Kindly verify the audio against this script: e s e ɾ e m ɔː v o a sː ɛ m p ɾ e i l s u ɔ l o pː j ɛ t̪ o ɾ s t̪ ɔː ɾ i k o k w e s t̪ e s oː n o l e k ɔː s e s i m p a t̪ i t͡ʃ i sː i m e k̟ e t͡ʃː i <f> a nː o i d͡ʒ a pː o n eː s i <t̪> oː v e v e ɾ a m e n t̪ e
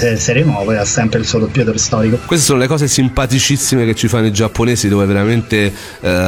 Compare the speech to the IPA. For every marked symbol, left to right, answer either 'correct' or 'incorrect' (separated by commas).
correct, incorrect